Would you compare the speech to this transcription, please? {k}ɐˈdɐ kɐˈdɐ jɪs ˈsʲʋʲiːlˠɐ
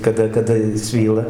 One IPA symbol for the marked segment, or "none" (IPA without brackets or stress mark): k